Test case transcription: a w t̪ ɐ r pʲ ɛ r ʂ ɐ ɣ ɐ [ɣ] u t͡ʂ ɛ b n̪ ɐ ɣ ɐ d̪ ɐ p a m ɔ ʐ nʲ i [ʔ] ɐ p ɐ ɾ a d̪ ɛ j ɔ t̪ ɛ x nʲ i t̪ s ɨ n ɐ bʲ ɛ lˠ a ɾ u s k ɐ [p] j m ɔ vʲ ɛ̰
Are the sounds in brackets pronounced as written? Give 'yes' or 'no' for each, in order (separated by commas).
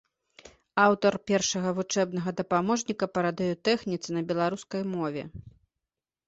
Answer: no, no, no